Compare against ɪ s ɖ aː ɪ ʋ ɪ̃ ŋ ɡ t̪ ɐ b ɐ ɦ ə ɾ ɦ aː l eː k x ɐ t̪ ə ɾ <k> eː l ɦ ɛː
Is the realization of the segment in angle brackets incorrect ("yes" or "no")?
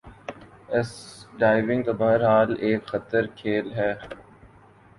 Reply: yes